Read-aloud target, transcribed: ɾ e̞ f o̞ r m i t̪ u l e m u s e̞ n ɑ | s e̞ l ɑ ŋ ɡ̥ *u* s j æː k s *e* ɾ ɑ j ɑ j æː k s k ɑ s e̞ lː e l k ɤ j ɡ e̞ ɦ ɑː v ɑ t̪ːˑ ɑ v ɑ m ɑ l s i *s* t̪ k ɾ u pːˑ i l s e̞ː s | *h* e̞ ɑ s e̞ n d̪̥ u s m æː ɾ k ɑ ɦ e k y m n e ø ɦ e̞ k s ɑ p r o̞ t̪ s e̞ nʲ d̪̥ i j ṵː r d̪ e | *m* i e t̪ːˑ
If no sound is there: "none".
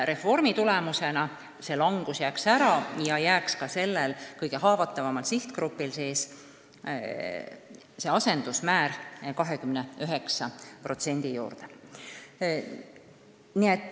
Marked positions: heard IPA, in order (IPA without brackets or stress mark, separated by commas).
u, æ, h, s, n